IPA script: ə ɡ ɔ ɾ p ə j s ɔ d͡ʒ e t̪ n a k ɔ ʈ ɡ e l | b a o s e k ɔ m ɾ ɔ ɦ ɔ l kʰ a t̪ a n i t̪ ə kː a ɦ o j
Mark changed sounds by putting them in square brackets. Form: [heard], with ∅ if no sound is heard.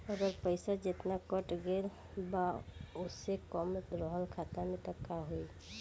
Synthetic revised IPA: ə ɡ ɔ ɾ p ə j s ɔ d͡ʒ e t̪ n a k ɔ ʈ ɡ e l | b a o s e k ɔ m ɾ ɔ ɦ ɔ l kʰ a t̪ a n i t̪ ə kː a ɦ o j